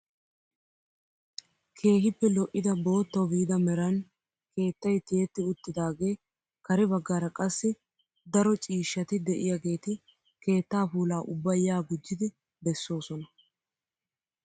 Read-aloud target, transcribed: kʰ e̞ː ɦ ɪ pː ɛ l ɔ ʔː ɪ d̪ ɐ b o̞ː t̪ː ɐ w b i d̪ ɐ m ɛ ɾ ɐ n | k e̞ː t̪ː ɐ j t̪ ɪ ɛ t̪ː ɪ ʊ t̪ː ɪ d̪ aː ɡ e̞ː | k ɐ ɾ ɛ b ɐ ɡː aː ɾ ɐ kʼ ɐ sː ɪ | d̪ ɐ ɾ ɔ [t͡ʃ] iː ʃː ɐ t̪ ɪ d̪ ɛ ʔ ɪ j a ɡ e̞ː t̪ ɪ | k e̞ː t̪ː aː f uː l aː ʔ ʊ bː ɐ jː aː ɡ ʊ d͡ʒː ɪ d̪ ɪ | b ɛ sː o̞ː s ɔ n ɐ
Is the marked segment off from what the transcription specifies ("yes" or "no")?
yes